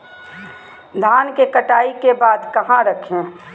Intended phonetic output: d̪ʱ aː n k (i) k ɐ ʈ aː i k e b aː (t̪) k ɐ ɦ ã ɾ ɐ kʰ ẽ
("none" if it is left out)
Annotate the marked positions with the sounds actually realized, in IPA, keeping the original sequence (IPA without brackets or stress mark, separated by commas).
e, d̪